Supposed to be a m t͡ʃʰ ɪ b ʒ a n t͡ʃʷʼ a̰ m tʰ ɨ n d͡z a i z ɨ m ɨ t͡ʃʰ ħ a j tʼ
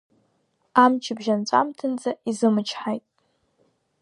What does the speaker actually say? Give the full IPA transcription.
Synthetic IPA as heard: a m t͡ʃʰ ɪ b ʒ a n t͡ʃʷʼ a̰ m tʰ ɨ n d͡z a i z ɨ m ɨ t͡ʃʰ ħ a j tʼ